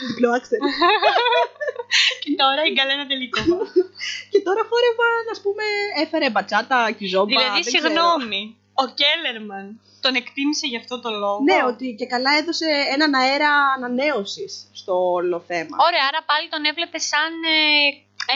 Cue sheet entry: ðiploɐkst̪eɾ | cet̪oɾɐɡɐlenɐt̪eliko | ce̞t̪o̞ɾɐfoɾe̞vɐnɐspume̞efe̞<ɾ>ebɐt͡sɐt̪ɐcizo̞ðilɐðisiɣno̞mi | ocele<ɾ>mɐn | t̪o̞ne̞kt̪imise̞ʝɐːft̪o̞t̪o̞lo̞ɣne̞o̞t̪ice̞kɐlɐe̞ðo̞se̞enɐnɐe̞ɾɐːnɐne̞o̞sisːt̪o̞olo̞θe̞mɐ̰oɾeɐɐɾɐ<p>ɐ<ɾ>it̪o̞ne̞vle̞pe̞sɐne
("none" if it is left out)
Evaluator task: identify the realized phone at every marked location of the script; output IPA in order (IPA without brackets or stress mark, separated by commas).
ɾ, ɾ, p, l